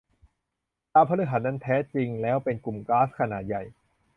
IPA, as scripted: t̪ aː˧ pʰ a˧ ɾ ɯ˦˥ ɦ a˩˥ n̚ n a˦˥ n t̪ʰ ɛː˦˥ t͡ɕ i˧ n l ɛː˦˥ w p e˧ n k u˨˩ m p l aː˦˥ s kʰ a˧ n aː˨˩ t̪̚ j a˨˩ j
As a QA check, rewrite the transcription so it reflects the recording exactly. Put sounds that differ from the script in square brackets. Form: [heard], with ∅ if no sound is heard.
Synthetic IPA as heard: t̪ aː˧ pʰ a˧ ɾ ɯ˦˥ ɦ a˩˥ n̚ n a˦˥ n t̪ʰ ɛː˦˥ t͡ɕ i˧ [ŋ] l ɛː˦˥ w p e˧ n k u˨˩ m [k] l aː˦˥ s kʰ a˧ n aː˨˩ t̪̚ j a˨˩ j